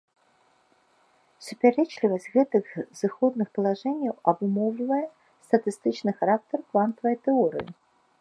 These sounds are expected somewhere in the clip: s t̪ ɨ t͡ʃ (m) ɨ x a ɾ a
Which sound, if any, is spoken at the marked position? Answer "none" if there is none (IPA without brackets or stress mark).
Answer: n